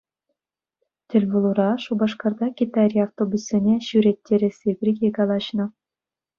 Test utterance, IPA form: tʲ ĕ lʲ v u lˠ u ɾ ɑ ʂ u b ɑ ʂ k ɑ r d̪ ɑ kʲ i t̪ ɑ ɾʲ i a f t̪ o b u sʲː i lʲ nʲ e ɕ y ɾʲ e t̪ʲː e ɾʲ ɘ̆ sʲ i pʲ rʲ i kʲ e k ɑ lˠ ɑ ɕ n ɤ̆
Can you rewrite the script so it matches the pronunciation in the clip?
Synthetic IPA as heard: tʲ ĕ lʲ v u lˠ u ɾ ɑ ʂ u b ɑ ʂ k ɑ r d̪ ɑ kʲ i t̪ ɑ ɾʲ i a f t̪ o b u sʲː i nʲ e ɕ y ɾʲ e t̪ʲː e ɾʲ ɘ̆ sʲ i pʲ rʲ i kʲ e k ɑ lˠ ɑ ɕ n ɤ̆